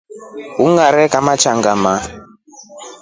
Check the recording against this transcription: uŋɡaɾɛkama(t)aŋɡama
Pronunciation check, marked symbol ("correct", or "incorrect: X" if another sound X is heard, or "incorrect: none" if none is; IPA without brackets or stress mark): incorrect: t͡ʃ